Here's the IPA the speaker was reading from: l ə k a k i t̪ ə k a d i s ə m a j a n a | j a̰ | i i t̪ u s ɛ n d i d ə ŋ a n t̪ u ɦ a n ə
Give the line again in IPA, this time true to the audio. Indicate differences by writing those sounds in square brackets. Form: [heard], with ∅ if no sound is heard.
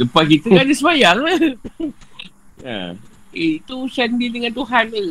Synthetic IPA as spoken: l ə [p] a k i t̪ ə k a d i s ə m a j a [ŋ] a | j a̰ | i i t̪ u s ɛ n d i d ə ŋ a n t̪ u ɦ a n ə